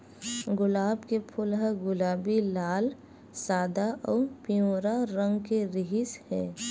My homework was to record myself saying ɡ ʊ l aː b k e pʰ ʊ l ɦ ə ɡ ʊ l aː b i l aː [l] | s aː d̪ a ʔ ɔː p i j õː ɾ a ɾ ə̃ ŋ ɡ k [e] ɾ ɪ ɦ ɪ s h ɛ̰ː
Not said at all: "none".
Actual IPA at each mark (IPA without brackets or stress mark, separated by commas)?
l, e